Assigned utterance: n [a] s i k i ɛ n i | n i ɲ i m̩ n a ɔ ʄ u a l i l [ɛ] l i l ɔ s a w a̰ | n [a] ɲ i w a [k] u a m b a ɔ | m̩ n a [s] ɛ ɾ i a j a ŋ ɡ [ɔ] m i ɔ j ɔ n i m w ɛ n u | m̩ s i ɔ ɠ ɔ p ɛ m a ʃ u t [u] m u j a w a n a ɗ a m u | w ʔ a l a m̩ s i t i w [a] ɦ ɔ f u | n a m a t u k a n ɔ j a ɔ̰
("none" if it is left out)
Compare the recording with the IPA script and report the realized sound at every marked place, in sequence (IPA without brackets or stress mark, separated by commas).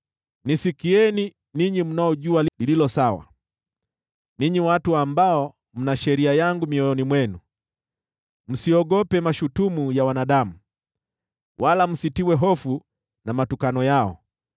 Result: i, i, i, t, ʃ, u, u, ɛ